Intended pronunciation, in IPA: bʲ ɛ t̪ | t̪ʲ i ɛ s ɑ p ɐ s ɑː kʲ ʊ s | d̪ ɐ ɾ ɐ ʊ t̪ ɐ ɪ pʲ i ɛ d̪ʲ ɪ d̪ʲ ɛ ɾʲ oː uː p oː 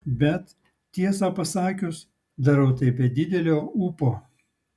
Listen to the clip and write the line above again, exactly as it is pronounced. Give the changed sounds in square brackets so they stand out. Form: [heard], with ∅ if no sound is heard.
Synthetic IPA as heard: bʲ ɛ t̪ | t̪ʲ i ɛ s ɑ p ɐ s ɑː kʲ ʊ s | d̪ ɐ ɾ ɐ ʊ t̪ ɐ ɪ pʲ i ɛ d̪ʲ ɪ d̪ʲ ɛ [lʲ] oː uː p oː